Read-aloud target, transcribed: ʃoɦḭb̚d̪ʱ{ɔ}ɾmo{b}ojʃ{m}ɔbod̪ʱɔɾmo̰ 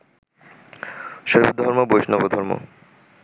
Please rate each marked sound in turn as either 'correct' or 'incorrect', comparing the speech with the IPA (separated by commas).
correct, correct, incorrect